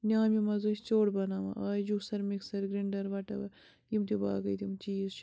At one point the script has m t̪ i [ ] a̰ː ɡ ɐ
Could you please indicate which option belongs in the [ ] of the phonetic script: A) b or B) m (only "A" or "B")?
A